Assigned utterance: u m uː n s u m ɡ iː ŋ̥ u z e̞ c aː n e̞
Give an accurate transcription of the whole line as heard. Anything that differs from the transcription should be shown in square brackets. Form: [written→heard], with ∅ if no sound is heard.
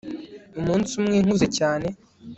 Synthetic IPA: u m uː n s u m [ɡ→ŋ] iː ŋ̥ u z e̞ c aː n e̞